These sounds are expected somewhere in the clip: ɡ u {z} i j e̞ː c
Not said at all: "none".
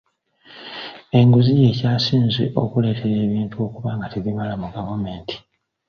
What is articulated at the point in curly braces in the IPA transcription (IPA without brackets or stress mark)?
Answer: z